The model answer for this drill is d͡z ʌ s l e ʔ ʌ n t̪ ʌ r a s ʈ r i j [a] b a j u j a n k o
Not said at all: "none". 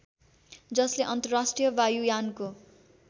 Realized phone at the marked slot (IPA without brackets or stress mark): ʌ